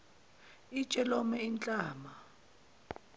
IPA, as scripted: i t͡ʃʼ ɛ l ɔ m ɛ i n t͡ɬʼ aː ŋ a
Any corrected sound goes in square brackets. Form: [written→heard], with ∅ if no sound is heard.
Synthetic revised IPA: i t͡ʃʼ ɛ l ɔ m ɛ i n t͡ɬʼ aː [ŋ→m] a